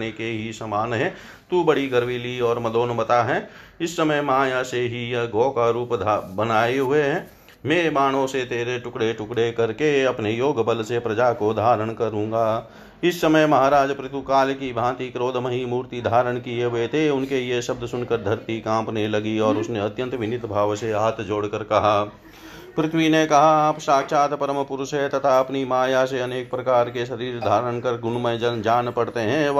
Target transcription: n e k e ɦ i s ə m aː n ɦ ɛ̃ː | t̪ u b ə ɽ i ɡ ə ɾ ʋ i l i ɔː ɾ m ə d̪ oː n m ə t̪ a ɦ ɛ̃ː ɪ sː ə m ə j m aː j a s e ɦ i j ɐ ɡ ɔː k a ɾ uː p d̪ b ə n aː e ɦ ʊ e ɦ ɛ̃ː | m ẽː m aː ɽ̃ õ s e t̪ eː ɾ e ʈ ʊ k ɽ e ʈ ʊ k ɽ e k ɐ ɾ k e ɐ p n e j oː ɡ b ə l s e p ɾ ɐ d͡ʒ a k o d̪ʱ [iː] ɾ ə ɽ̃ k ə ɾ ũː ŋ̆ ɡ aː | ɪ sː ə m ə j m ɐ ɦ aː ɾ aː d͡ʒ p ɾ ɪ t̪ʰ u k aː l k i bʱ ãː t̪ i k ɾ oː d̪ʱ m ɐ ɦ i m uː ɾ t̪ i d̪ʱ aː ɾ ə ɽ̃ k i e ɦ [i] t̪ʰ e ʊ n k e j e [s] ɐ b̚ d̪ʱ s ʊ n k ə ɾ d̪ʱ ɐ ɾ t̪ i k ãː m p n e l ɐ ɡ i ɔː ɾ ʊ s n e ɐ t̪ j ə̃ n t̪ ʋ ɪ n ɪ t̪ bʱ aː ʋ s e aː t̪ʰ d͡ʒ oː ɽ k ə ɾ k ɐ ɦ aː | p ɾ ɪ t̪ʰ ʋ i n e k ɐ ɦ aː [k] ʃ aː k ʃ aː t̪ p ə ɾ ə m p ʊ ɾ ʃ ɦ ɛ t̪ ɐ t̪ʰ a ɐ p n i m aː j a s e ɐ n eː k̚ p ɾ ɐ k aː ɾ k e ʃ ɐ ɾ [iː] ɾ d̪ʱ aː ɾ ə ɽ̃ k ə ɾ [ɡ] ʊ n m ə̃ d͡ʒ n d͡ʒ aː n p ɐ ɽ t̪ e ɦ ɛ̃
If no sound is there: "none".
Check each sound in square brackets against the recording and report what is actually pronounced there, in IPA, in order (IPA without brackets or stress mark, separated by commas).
aː, e, ʃ, p, iː, ɡ